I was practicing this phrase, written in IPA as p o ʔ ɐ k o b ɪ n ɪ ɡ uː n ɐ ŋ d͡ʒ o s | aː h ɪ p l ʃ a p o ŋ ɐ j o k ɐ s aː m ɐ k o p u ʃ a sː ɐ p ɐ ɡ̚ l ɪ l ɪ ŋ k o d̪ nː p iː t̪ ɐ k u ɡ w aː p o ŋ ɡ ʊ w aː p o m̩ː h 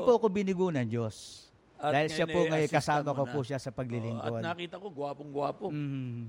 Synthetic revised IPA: p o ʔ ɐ k o b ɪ n ɪ ɡ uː n ɐ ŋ d͡ʒ o s | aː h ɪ l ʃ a p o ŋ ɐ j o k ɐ s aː m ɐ k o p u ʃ a s ɐ p ɐ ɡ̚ l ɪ l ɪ ŋ k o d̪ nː k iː t̪ ɐ k o ɡ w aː p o ŋ ɡ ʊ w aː p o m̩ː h